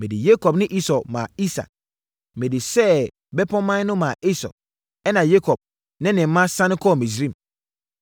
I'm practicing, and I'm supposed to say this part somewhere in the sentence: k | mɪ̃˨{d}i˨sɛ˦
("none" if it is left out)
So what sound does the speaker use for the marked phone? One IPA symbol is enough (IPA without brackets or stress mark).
d